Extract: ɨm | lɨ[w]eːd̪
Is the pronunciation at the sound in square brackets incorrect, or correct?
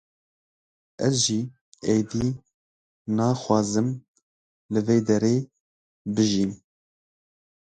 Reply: incorrect: v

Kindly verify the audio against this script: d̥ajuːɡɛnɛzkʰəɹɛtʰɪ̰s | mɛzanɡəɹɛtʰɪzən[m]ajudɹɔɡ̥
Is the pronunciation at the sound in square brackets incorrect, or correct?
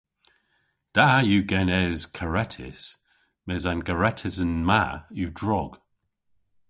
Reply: correct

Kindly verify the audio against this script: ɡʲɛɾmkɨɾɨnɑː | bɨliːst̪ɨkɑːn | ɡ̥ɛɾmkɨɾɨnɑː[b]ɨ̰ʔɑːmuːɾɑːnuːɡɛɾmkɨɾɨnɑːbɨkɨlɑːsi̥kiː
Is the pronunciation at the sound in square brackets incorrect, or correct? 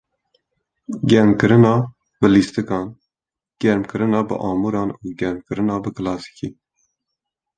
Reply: correct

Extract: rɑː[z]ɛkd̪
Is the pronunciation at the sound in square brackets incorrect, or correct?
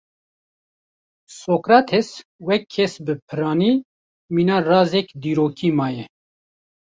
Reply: correct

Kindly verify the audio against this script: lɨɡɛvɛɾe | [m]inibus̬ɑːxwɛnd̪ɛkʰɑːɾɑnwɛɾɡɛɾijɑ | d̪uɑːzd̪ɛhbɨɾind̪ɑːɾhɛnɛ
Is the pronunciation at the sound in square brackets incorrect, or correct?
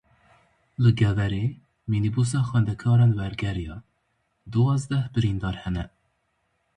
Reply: correct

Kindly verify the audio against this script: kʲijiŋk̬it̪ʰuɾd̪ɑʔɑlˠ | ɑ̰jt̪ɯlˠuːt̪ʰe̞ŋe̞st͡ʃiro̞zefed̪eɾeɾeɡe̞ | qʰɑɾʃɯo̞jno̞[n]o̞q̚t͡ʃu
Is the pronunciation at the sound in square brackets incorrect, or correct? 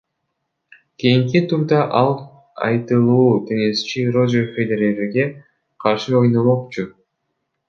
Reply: incorrect: m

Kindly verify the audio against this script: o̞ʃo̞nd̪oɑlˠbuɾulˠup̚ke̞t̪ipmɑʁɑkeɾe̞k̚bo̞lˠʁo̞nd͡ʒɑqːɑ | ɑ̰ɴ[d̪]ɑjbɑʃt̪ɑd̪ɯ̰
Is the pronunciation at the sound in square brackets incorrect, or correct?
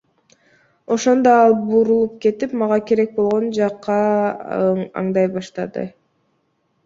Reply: correct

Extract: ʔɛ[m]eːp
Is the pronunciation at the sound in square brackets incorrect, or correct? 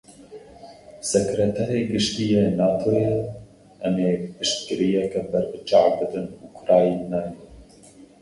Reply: correct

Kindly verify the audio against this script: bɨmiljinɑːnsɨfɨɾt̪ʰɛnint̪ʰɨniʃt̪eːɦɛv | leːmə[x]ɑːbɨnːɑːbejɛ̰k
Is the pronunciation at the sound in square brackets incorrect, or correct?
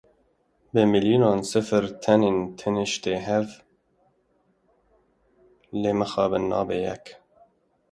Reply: correct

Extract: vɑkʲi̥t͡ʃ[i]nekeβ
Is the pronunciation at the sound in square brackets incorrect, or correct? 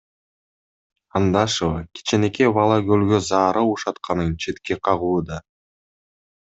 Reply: incorrect: e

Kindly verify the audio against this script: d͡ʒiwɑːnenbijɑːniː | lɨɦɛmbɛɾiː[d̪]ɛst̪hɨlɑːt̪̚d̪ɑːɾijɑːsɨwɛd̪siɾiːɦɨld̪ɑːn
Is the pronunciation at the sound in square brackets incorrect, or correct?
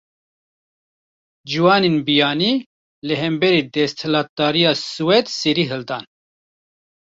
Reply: correct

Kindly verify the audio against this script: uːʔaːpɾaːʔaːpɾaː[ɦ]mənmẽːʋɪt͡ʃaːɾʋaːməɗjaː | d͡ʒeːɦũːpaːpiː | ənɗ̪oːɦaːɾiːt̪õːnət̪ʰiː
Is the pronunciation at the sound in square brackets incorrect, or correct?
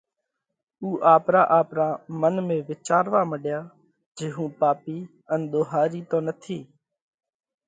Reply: incorrect: none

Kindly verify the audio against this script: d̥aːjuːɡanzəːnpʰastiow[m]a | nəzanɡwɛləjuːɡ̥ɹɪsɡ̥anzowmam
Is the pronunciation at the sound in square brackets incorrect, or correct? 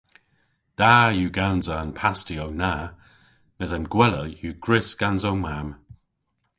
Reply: incorrect: n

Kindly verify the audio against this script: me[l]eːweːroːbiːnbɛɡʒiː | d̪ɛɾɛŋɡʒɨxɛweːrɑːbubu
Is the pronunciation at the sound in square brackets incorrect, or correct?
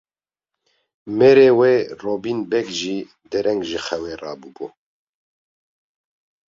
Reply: incorrect: ɾ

